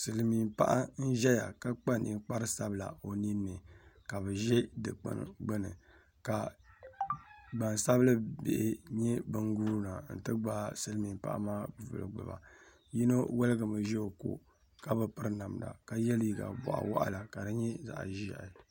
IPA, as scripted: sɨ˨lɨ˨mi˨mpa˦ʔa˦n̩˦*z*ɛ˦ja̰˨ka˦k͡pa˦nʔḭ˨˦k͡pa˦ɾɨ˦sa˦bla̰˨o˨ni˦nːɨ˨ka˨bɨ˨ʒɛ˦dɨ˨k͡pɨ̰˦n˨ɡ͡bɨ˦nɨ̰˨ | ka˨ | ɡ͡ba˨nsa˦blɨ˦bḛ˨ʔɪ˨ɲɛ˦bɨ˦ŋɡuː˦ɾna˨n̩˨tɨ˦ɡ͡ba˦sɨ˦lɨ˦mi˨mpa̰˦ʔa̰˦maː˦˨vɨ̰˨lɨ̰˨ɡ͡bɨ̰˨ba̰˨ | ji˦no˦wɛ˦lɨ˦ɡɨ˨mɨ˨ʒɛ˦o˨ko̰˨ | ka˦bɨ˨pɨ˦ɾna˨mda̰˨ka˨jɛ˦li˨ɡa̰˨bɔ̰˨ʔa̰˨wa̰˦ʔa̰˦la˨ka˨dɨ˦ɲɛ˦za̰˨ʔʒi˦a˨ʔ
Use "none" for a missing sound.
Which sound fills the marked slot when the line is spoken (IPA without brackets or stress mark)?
ʒ